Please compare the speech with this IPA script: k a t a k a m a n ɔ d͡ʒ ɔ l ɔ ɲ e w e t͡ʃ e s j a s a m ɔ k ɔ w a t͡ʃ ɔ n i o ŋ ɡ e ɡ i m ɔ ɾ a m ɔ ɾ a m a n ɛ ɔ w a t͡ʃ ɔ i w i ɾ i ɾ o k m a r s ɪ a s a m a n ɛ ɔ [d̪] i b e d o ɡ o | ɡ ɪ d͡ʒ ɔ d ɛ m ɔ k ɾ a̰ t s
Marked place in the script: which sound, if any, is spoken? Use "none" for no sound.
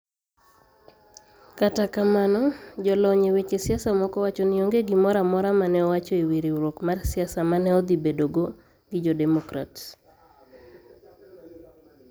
d̪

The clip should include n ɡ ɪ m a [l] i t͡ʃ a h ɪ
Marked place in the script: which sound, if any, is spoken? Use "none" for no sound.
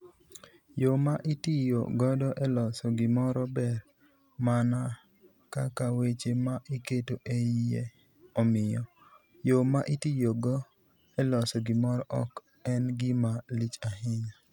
l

